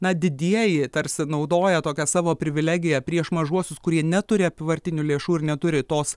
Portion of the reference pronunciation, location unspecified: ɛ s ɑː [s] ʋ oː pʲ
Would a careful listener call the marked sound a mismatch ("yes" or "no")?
yes